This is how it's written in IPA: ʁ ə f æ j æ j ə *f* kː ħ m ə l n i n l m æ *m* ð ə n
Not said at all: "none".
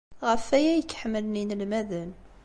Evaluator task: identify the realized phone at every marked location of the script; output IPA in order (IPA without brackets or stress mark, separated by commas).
none, none